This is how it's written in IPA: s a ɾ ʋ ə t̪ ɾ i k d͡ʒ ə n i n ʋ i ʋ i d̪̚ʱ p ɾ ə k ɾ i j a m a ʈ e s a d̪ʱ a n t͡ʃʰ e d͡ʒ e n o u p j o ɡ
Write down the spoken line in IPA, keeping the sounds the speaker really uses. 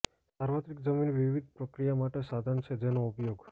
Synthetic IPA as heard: s a ɾ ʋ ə t̪ ɾ i k d͡ʒ ə m i n ʋ i ʋ i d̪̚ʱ p ɾ ə k ɾ i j a m a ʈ e s a d̪ʱ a n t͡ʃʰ e d͡ʒ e n o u p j o ɡ